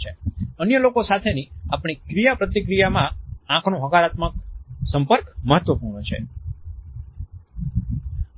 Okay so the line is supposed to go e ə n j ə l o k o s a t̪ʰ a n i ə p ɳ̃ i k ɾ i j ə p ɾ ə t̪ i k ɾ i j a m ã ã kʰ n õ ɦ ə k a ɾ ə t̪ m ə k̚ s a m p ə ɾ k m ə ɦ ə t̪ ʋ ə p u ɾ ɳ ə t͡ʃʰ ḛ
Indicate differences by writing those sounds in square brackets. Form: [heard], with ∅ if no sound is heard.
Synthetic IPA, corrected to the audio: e ə n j ə l o k o s a t̪ʰ [e] n i [a] p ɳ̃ i k ɾ i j [a] p ɾ ə t̪ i k ɾ i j a m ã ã kʰ n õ ɦ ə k a ɾ [a] t̪ m ə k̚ s [ə] m p ə ɾ k m ə ɦ ə t̪ ʋ ə p u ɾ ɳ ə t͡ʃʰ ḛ